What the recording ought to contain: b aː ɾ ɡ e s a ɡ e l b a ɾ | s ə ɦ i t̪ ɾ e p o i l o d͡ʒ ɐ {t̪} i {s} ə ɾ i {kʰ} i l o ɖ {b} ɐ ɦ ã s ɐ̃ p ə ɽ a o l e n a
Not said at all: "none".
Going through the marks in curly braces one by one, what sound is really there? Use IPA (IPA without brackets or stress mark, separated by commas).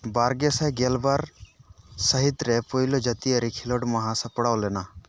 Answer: t̪, none, kʰ, m